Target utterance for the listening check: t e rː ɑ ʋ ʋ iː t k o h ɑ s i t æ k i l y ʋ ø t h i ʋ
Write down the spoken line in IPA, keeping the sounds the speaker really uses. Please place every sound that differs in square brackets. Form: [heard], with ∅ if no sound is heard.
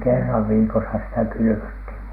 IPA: [k] e rː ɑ ʋ ʋ iː [∅] k o [s] ɑ s i t æ k [y] l y ʋ ø t h i ʋ